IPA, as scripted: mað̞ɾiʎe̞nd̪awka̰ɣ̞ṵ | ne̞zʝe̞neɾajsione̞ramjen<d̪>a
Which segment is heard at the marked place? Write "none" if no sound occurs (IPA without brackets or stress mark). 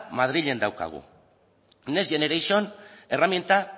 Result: t̪